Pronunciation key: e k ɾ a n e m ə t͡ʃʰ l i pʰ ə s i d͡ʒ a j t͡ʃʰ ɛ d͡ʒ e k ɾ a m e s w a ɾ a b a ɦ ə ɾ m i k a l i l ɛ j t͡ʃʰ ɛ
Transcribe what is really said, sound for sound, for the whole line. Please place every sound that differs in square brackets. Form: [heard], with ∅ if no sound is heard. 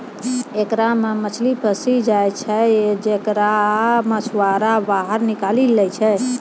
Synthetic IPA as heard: e k ɾ a [m] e m ə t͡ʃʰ l i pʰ ə s i d͡ʒ a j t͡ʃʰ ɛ d͡ʒ e k ɾ a m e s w a ɾ a b a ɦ ə ɾ [n] i k a l i l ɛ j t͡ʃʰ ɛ